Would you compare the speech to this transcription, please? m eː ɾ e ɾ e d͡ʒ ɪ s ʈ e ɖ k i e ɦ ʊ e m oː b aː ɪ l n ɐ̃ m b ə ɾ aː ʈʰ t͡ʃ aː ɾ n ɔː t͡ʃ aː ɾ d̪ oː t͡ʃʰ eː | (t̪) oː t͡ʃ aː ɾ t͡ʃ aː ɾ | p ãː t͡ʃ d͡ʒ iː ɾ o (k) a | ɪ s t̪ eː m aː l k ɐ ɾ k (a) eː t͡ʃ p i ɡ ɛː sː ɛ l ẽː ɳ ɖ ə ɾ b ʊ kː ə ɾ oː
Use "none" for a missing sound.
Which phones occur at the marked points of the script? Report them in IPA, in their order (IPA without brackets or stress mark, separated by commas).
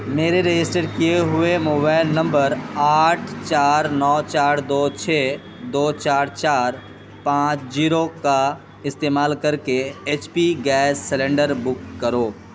d̪, k, e